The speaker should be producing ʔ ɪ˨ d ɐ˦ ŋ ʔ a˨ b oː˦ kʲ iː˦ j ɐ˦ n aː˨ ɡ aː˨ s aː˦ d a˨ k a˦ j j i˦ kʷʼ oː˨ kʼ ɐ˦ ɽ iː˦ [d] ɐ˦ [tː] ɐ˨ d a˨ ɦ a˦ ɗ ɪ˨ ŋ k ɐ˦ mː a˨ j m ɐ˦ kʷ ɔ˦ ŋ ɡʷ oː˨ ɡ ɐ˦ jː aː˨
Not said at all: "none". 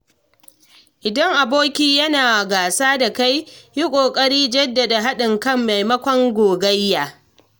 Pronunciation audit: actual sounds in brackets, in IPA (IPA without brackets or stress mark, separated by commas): d͡ʒ, dː